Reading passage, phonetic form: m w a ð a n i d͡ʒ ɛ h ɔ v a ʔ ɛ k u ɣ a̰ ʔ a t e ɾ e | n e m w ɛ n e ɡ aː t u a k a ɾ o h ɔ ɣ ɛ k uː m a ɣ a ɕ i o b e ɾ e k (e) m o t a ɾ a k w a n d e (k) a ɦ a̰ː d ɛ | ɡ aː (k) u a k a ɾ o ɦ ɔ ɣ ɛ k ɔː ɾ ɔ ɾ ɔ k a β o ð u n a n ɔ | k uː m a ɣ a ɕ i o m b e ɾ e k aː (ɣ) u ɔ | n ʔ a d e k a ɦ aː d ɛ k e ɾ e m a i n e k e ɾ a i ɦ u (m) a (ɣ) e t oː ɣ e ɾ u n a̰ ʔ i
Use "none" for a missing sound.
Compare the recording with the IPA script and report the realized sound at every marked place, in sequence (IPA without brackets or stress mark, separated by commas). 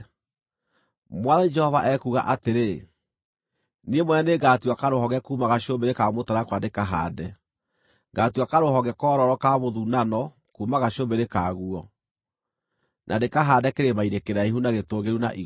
a, k, t, ɣ, n, ɣ